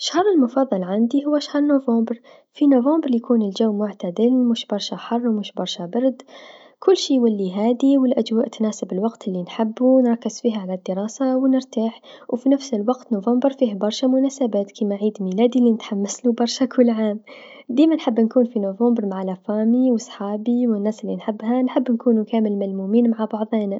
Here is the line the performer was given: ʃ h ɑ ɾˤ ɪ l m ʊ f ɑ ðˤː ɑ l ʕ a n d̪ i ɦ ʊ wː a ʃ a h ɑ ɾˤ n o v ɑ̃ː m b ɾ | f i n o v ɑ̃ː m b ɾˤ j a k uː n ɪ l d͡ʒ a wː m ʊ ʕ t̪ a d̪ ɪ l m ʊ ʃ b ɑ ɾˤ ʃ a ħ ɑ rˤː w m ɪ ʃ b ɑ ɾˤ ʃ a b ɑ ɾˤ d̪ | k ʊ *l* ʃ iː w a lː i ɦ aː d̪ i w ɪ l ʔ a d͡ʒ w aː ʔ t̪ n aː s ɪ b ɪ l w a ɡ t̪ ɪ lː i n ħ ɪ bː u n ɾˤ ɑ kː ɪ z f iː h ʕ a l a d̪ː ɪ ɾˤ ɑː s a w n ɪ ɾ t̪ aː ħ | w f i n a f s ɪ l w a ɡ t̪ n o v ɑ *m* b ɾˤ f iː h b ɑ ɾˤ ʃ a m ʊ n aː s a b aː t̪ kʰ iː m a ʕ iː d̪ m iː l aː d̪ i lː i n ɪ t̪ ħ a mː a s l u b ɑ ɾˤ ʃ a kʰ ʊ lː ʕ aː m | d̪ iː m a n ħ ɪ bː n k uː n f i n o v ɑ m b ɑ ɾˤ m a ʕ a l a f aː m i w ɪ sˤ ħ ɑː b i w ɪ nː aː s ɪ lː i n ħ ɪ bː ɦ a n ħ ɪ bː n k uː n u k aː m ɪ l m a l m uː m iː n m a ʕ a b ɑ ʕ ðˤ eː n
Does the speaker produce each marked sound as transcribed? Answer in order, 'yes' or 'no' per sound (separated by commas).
no, yes